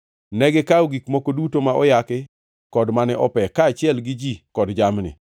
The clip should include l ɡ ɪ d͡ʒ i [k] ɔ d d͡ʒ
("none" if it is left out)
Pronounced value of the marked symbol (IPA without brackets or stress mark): k